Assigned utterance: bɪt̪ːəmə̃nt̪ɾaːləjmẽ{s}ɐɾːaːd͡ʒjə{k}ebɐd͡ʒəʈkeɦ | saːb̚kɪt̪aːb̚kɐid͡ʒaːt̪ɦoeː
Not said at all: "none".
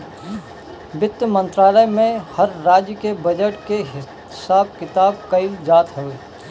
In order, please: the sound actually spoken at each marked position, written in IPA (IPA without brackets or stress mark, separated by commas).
h, k